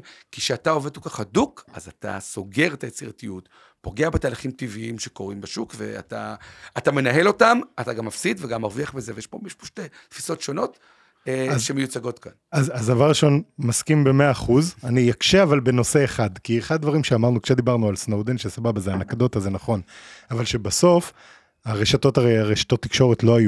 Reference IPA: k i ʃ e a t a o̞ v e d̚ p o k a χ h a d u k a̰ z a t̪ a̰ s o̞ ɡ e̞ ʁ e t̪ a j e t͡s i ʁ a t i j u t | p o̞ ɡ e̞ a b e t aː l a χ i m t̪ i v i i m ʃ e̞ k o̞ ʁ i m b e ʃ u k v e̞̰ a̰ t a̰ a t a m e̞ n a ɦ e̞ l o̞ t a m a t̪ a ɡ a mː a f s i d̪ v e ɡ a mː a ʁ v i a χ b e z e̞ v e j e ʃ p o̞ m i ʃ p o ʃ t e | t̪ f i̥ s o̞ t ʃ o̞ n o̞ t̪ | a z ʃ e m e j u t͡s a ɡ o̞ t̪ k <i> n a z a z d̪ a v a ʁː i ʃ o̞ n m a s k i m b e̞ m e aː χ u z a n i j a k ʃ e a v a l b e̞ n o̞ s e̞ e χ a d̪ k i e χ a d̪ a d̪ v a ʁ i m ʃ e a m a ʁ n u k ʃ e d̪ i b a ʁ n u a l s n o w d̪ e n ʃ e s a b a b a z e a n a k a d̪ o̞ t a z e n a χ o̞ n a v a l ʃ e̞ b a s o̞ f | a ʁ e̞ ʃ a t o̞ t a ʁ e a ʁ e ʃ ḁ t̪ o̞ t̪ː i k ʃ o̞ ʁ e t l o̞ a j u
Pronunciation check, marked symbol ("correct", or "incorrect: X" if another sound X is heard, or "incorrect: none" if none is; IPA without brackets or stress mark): incorrect: a